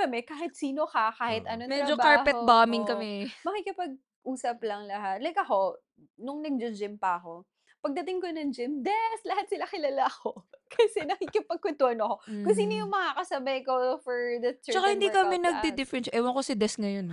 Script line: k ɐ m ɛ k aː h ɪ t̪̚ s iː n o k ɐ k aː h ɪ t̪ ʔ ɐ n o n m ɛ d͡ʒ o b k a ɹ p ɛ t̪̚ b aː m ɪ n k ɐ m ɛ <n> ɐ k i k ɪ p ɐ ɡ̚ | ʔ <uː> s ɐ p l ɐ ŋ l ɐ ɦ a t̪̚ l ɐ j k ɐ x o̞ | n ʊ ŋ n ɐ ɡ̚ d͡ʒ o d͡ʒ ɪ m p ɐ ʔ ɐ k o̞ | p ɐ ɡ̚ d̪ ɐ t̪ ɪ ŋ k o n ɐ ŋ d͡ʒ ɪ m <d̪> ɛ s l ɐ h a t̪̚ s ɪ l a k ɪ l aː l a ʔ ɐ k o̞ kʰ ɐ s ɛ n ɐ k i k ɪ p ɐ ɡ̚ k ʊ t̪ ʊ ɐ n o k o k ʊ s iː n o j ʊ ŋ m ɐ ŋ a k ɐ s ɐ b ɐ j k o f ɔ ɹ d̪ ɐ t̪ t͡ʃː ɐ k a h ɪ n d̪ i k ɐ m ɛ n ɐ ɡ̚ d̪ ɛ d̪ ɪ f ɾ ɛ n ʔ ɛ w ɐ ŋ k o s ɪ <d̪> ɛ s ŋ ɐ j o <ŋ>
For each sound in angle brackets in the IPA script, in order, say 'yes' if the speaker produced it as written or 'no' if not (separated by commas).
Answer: no, yes, yes, yes, no